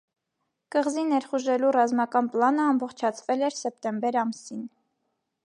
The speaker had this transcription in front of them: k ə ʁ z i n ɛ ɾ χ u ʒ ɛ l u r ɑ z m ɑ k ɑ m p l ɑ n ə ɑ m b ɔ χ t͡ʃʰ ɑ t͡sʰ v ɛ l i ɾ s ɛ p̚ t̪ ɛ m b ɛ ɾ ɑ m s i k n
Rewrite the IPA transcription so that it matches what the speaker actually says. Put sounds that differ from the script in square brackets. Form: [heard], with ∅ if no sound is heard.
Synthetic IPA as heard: k ə ʁ z i n ɛ ɾ χ u ʒ ɛ l u r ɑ z m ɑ k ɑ [n] p l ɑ n ə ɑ m b ɔ χ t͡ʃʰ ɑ t͡sʰ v ɛ l [ɛ] ɾ s ɛ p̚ t̪ ɛ m b ɛ ɾ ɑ m s i [∅] n